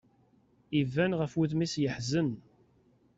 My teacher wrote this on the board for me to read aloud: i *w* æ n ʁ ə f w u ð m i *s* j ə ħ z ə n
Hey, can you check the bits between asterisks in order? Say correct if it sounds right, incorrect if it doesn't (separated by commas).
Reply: incorrect, correct